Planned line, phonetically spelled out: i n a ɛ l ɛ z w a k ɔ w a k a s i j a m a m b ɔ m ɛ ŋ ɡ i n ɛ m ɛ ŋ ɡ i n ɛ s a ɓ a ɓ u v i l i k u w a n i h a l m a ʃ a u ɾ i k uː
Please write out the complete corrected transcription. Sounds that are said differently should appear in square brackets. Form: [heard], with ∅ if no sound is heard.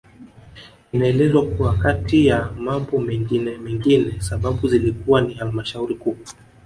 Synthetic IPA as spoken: i n a ɛ l ɛ z w a k [u] w a k a [t] i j a m a m b ɔ m ɛ ŋ ɡ i n ɛ m ɛ ŋ ɡ i n ɛ s a ɓ a ɓ u [z] i l i k u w a n i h a l m a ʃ a u ɾ i k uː